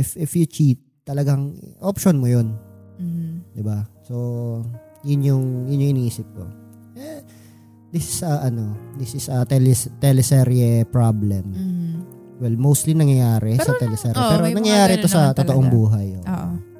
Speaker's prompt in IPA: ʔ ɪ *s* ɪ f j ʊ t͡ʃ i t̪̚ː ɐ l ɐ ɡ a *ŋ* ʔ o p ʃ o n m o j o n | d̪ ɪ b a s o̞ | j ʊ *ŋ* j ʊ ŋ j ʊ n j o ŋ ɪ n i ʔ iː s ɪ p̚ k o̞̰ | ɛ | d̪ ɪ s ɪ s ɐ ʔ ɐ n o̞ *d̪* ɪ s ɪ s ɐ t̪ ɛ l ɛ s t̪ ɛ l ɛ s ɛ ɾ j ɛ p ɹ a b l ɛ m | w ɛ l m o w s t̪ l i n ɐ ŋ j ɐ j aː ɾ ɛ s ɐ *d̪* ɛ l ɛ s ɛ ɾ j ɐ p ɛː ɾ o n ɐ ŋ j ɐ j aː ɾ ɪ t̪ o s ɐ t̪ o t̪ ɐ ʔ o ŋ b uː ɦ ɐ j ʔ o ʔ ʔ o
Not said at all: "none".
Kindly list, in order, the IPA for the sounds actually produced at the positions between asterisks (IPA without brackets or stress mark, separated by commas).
f, ŋ, n, d̪, t̪